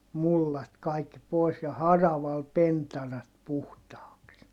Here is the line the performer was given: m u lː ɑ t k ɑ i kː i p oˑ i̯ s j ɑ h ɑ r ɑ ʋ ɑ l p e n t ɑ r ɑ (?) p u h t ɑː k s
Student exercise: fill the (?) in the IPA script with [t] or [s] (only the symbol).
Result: t